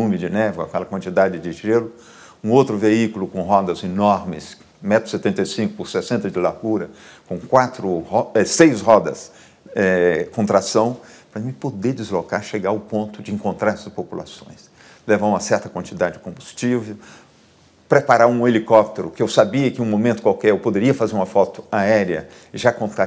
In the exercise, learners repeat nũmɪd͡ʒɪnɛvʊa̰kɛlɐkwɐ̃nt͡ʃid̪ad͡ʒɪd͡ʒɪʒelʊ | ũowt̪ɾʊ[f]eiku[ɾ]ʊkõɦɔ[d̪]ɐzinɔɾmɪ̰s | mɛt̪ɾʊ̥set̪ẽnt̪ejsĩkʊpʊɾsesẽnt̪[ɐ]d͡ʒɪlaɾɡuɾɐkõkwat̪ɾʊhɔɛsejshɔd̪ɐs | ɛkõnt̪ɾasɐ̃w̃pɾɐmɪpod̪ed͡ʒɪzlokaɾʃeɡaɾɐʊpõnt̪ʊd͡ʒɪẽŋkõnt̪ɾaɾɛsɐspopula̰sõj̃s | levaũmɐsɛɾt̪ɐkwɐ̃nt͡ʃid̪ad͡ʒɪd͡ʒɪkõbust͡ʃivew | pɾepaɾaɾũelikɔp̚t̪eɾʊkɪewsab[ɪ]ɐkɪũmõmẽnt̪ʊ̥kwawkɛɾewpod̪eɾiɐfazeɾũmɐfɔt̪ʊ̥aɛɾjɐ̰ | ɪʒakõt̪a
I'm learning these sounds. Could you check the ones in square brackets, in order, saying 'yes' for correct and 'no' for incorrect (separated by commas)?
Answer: no, no, yes, yes, no